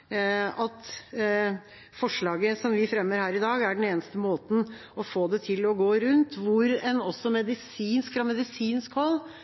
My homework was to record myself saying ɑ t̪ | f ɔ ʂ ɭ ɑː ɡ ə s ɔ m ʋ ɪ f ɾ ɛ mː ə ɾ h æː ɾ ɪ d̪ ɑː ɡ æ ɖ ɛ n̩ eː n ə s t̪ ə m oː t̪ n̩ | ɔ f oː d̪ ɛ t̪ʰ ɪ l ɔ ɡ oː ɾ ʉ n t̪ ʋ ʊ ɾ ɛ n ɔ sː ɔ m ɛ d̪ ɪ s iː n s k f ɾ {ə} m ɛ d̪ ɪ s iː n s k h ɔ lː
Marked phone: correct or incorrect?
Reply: incorrect